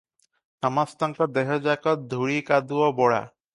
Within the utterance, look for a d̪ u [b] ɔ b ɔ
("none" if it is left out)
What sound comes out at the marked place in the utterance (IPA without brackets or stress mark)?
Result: none